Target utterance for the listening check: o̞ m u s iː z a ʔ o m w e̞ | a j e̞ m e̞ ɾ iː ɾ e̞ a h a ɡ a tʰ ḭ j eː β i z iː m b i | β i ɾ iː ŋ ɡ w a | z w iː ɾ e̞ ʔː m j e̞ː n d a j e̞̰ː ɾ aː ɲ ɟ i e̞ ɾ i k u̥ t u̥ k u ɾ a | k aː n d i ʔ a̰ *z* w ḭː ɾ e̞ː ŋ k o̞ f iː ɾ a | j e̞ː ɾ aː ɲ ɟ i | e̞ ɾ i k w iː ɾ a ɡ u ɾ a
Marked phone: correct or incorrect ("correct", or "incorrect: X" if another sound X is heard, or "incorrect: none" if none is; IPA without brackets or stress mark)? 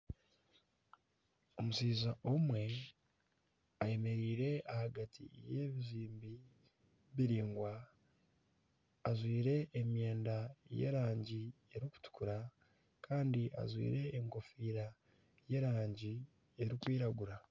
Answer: correct